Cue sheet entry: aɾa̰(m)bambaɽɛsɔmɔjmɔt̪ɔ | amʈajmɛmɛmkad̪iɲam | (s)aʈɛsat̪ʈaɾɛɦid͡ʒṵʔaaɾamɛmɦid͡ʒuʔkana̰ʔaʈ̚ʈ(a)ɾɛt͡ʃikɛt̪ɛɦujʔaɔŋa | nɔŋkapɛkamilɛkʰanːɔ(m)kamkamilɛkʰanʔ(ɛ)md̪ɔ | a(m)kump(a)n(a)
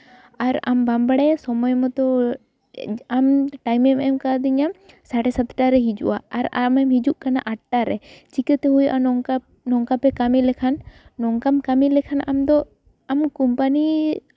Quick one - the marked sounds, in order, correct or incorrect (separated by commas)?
correct, correct, correct, incorrect, incorrect, correct, correct, incorrect